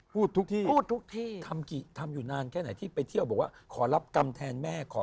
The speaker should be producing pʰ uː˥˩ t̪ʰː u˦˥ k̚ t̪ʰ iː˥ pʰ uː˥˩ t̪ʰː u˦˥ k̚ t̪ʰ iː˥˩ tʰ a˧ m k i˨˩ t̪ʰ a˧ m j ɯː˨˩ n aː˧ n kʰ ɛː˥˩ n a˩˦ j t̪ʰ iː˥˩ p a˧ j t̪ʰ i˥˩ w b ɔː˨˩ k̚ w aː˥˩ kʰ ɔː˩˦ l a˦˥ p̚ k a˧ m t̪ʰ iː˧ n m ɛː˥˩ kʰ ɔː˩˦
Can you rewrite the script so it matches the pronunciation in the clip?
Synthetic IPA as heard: pʰ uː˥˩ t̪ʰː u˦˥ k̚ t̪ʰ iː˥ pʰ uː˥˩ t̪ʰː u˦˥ k̚ t̪ʰ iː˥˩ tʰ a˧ m k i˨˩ t̪ʰ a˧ m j uː˨˩ n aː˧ n kʰ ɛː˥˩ n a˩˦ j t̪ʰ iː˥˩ p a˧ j t̪ʰ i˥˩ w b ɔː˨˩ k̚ w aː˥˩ kʰ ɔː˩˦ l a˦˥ p̚ k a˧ m t̪ʰ ɛː˧ n m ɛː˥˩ kʰ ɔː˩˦